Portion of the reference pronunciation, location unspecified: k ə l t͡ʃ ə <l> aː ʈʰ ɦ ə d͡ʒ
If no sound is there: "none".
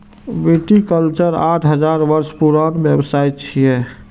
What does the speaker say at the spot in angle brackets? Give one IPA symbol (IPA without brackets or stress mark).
ɾ